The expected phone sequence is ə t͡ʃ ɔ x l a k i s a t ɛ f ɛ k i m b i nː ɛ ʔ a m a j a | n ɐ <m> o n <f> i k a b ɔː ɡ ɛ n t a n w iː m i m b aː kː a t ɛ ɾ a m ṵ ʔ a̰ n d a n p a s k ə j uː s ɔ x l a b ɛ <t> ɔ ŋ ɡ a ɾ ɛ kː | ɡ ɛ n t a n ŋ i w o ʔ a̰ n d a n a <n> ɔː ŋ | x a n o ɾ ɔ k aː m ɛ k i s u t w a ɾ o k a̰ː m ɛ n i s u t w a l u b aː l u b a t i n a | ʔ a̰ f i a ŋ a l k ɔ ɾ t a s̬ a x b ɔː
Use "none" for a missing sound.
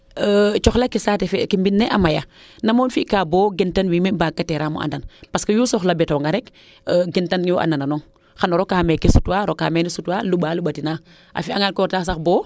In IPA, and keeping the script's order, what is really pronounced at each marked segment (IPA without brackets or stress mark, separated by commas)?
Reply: m, f, t, n